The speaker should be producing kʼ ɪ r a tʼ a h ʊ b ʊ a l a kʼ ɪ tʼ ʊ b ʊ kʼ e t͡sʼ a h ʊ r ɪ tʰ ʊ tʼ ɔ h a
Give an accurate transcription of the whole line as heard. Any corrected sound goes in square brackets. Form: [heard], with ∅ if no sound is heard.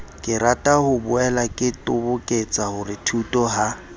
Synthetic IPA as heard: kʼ ɪ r a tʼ a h ʊ b ʊ [ɛ] l a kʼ ɪ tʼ ʊ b ʊ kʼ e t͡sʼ a h ʊ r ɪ tʰ [u] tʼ ɔ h a

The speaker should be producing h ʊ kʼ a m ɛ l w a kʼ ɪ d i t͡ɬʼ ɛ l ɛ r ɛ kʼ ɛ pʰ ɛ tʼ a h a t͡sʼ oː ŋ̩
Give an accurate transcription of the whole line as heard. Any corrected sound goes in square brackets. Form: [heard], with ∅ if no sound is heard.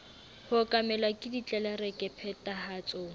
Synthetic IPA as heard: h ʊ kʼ a m ɛ l w a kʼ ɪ d i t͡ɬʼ ɛ l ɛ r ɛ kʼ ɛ pʰ ɛ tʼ a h a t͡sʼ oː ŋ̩

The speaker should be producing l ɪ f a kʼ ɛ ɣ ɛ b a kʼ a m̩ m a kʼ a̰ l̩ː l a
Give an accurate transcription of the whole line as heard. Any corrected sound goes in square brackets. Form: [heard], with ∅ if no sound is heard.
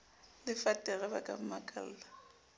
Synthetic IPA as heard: l ɪ f a [tʼ] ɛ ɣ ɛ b a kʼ a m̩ m a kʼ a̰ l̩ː l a

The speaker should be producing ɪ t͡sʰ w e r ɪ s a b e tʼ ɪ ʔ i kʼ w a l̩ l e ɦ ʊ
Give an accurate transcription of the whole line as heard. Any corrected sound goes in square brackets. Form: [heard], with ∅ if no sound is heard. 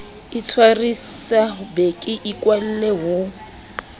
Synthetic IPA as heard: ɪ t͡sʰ w [a] r [i] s a b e [kʼ] ɪ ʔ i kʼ w a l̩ l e ɦ ʊ

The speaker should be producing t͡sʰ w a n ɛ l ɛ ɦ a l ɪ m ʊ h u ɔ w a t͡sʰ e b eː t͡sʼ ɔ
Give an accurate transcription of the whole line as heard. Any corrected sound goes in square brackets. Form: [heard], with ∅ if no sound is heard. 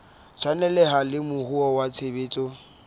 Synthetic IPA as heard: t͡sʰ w a n ɛ l ɛ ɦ a l ɪ m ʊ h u ɔ w a t͡sʰ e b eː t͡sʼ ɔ

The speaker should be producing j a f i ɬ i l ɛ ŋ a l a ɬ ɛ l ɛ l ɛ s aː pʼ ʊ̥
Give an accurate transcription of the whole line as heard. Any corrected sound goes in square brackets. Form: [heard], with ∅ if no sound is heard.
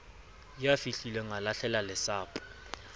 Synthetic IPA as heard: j a f i ɬ i l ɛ ŋ a l a ɬ ɛ l [a] l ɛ s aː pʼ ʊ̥

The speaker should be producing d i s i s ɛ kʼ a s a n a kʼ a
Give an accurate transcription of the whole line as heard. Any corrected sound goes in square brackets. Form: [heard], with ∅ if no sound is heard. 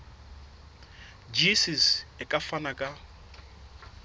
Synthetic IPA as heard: [d͡ʒ] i s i s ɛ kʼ a [f] a n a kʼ a

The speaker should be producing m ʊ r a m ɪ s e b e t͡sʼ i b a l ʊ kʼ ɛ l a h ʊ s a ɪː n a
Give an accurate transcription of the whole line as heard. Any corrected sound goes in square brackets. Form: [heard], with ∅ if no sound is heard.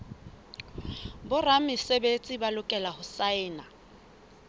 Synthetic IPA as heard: [b] ʊ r a m ɪ s e b e t͡sʼ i b a l ʊ kʼ ɛ l a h ʊ s a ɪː n a

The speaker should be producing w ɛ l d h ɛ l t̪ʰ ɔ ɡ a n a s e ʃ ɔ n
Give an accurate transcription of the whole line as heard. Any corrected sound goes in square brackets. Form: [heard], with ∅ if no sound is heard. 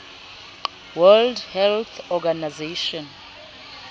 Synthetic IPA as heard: w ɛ l d h ɛ l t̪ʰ ɔ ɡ a n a [z] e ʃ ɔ n

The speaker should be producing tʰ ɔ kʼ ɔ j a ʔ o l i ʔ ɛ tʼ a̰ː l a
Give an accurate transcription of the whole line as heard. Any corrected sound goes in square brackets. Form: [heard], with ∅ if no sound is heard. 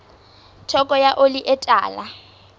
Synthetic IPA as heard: tʰ ɔ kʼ ɔ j a ʔ o l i ʔ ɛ tʼ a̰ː l a

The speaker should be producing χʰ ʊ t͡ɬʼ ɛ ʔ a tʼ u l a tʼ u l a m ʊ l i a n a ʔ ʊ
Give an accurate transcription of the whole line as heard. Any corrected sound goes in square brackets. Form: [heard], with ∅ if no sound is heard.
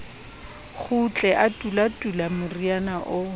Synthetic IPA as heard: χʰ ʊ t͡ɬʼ ɛ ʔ a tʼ u l a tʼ u l a m ʊ [r] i a n a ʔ ʊ

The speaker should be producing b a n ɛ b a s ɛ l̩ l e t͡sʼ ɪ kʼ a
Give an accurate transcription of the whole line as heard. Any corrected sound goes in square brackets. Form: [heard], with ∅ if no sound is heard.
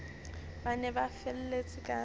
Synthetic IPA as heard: b a n ɛ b a [f] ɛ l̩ l e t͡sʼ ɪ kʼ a

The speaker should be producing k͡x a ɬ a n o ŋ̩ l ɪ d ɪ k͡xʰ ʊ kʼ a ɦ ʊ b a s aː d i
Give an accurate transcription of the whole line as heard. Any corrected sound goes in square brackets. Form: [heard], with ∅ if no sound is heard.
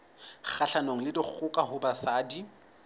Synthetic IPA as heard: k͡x a ɬ a n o ŋ̩ l ɪ d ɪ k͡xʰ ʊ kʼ a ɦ ʊ b a s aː d i

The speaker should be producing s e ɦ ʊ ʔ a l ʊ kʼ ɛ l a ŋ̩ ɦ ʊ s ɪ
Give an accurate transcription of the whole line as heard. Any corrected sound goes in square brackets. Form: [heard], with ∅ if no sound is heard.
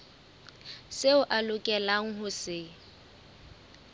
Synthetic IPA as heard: s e [∅] ʊ ʔ a l ʊ kʼ ɛ l a ŋ̩ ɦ ʊ s ɪ

